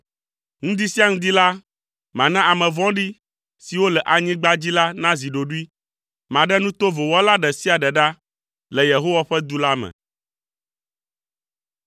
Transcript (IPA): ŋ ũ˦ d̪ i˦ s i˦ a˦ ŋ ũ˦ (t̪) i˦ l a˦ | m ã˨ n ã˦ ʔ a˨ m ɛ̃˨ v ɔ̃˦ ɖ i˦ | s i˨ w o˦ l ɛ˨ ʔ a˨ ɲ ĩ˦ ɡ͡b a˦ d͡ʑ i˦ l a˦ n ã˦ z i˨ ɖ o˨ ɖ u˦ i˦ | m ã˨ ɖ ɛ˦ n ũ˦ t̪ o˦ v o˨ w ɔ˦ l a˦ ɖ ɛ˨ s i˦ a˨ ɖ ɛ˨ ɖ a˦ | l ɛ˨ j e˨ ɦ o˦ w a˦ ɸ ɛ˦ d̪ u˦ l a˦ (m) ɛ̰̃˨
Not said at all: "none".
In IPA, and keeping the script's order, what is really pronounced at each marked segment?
d̪, m

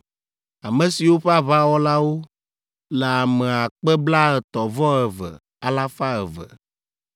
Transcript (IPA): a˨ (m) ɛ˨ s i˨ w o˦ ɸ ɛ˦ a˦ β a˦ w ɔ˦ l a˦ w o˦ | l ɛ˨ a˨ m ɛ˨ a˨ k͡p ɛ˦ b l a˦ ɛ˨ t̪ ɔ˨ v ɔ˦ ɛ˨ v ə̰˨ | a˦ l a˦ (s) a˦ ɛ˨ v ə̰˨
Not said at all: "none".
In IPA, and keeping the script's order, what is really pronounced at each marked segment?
m, f

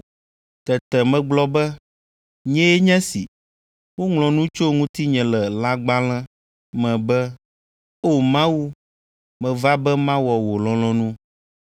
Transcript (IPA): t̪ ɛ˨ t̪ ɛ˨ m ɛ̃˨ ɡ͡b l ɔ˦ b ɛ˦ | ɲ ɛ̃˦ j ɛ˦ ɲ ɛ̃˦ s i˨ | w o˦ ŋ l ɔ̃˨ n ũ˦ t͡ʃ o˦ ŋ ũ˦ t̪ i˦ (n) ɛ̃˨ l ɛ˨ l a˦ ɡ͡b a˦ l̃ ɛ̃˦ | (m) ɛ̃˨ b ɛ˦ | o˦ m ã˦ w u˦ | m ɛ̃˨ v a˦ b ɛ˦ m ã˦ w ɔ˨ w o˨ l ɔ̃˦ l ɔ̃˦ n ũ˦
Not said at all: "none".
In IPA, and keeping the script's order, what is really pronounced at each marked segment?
ɲ, m

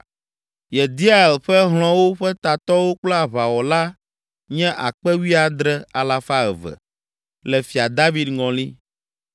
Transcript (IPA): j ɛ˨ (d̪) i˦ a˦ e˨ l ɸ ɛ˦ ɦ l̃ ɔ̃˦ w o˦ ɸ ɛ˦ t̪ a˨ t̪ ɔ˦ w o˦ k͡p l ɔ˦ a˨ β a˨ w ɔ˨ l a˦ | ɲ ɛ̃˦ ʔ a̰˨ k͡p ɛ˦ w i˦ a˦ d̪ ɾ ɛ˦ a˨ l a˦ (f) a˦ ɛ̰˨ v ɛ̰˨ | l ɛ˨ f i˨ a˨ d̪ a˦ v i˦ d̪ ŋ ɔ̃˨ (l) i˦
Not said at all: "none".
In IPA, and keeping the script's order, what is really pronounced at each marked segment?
d̪, f, l

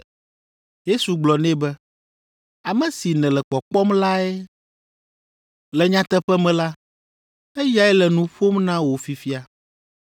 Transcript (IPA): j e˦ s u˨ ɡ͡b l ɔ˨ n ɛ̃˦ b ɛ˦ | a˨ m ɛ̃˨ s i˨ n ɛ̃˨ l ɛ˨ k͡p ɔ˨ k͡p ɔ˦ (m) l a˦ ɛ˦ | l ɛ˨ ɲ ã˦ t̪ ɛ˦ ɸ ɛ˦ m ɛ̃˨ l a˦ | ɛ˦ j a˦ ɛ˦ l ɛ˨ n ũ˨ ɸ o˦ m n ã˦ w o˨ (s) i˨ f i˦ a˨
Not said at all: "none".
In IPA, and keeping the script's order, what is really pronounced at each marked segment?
m, f

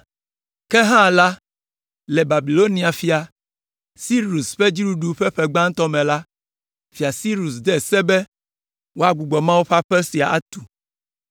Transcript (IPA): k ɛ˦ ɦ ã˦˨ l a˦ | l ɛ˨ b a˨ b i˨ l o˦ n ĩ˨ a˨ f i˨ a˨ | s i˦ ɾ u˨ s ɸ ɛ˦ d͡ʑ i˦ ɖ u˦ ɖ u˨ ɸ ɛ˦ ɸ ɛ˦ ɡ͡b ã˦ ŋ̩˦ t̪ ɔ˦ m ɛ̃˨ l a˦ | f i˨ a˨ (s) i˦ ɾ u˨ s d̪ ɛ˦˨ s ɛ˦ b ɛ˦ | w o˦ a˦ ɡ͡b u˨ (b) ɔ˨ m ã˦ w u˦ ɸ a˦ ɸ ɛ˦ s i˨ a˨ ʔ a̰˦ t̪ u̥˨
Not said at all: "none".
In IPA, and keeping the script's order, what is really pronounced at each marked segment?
s, ɡ͡b

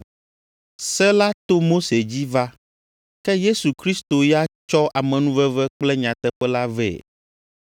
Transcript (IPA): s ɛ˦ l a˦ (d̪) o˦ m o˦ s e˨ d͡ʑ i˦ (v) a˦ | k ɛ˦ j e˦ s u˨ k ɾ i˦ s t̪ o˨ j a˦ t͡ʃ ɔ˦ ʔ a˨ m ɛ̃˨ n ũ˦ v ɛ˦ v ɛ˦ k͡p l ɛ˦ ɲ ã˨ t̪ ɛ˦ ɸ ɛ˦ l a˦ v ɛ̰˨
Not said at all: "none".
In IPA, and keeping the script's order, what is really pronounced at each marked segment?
t̪, v

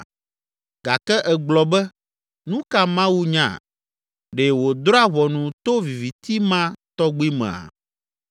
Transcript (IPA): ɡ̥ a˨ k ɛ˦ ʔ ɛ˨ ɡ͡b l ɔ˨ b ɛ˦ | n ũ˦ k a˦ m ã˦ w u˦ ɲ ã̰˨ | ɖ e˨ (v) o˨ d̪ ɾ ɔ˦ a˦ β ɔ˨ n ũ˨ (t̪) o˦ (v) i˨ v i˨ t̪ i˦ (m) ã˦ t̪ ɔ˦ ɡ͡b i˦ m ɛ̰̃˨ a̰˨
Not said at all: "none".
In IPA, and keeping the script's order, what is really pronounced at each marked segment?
w, t̪, v, m

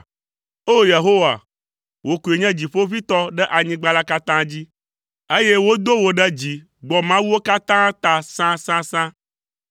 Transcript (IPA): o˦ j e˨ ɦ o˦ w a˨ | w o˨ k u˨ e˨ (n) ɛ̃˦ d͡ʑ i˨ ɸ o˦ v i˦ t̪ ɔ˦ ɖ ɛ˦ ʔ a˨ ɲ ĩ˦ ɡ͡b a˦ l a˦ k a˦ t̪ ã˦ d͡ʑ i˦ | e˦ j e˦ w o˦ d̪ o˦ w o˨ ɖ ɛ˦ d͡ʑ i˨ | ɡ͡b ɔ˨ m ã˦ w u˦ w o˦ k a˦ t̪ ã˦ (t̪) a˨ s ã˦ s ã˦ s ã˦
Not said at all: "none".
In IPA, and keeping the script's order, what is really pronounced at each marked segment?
ɲ, t̪

